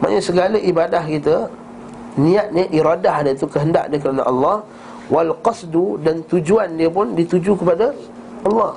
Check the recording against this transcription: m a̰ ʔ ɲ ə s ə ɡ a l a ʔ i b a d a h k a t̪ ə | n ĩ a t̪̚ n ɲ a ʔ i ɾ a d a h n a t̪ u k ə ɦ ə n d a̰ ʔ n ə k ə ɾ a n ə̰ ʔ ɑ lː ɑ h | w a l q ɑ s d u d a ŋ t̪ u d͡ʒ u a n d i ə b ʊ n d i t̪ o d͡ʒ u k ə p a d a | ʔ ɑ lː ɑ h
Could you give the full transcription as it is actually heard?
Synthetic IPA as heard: m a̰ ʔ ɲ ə s ə ɡ a l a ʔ i b a d a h k i t̪ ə | n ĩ a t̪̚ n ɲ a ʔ i ɾ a d a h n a t̪ u k ə ɦ ə n d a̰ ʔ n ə k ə ɾ a n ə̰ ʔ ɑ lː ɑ h | w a l q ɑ s d u d a n t̪ u d͡ʒ u a n d i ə p ʊ n d i t̪ u d͡ʒ u k ə p a d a | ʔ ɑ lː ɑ h